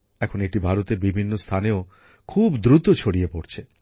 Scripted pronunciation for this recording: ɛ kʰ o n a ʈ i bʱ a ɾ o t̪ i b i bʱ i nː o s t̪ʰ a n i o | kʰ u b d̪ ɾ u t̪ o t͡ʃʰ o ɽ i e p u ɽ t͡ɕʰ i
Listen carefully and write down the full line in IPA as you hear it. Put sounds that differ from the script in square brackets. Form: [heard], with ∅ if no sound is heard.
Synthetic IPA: ɛ kʰ o n [e] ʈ i bʱ a ɾ o t̪ [e] b i bʱ i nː o s t̪ʰ a n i o | kʰ u b d̪ ɾ u t̪ o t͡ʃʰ o ɽ i e p [o] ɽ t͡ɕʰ [e]